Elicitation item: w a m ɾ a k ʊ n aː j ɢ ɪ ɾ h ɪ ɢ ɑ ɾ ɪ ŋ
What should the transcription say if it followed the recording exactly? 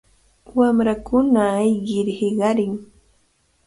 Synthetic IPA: w a m ɾ a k ʊ n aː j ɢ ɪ ɾ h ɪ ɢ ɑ ɾ ɪ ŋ